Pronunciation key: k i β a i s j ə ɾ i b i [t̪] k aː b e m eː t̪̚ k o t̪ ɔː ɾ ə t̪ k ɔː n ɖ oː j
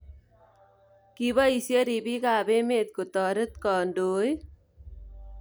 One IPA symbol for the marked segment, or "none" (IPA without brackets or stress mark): none